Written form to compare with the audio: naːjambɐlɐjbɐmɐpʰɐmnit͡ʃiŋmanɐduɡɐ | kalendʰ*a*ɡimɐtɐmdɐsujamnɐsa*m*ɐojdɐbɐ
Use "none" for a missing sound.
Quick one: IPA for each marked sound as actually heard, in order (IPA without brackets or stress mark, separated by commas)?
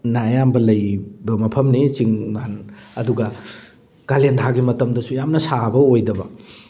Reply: a, b